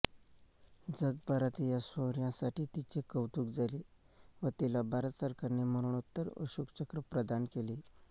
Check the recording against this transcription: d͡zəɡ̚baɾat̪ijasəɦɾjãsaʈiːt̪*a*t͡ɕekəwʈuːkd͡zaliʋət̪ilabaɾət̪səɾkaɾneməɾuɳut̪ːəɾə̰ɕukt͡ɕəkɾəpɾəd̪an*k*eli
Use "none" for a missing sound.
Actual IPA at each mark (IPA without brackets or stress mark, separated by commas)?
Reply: i, k